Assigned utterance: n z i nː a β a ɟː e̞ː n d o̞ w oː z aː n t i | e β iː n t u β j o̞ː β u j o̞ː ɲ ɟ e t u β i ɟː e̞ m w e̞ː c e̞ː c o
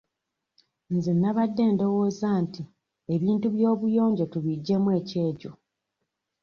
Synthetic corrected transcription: n z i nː a β a dː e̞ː n d o̞ w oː z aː n t i | e β iː n t u β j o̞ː β u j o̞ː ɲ ɟ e t u β i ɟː e̞ m w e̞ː c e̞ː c o